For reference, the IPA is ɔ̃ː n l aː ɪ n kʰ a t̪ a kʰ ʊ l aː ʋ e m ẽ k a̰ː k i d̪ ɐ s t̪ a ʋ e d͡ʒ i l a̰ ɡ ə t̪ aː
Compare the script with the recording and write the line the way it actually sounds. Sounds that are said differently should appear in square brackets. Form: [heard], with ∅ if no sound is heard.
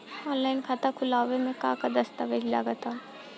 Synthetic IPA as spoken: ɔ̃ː n l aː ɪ n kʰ a t̪ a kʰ ʊ l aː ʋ e m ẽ k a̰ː k [a] d̪ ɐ s t̪ a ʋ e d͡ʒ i l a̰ ɡ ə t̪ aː